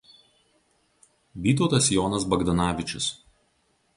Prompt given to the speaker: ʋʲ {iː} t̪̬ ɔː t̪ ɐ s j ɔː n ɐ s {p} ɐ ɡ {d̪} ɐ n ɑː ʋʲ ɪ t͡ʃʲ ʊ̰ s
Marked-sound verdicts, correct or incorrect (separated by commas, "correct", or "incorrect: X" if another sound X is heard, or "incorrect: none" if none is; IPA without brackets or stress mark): correct, incorrect: b, correct